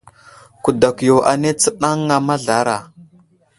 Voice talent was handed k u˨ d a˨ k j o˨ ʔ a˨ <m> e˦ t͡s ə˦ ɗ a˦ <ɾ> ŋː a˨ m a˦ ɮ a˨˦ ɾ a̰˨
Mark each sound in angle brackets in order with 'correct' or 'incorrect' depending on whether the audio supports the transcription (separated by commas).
incorrect, incorrect